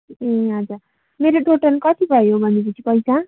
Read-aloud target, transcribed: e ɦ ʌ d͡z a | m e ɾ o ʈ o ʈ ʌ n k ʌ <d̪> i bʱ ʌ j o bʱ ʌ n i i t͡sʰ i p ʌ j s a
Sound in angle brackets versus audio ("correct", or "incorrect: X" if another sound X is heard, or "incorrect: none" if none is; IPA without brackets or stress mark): incorrect: t̪